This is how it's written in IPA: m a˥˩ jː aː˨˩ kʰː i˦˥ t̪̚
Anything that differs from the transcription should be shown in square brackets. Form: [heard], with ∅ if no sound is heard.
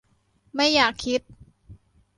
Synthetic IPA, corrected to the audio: m a˥˩ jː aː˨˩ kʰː i˦˥ t̪̚